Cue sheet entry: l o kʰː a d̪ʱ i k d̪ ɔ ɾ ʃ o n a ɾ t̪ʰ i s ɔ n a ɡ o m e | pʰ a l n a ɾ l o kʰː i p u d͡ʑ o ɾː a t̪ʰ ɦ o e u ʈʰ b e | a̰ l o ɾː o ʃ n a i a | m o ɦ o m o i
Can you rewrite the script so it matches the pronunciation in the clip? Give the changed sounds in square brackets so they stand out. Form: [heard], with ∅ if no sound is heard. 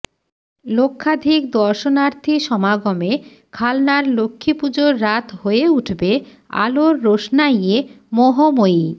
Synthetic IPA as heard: l o kʰː a d̪ʱ i k d̪ ɔ ɾ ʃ o n a ɾ t̪ʰ i [ʃ] ɔ [m] a ɡ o m e | [kʰ] a l n a ɾ l o kʰː i p u d͡ʑ o ɾː a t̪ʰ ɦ o e u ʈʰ b e | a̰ l o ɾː o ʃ n a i [e] | m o ɦ o m o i